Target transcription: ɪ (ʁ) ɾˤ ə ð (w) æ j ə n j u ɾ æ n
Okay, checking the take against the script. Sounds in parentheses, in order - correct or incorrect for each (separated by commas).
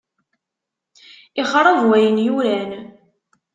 incorrect, correct